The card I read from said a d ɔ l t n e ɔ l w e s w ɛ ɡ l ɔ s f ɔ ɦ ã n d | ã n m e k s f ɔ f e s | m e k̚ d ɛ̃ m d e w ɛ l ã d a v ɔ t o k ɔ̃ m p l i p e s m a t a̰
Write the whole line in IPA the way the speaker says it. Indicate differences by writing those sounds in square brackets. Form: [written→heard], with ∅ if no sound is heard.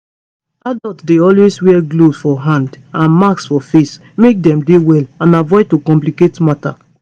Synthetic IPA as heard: a d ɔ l t [n→d] e ɔ l w e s w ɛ ɡ l [ɔ→o] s f ɔ ɦ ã n d | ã n m [e→a] k s f ɔ f e s | m e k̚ d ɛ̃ m d e w ɛ l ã [d→n] a v ɔ t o k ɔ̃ m p l i [p→k] e [s→t] m a t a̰